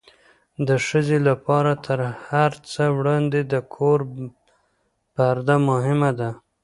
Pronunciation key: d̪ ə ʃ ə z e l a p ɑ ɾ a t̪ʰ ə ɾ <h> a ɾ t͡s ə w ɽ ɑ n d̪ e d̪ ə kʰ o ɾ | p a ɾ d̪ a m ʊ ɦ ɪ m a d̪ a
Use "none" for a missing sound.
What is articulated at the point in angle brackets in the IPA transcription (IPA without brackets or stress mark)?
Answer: h